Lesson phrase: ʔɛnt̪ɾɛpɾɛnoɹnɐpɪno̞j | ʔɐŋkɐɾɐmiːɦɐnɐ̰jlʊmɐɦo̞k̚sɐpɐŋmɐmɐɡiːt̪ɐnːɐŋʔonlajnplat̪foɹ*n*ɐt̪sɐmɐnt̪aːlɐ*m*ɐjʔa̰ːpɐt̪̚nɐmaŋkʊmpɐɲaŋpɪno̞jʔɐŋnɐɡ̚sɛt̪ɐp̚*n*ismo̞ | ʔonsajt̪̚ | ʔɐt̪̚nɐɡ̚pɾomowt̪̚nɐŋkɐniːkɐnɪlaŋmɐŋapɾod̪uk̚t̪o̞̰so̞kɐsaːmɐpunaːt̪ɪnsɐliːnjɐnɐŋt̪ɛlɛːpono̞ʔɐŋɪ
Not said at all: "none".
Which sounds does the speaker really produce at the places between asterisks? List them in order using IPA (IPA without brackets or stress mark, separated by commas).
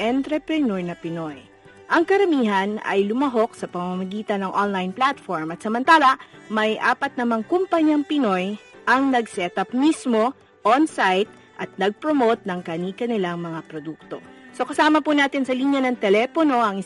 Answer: m, m, m